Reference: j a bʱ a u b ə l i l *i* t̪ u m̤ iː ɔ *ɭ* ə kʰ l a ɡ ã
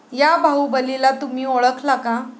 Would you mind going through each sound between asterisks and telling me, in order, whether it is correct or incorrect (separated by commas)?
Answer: incorrect, correct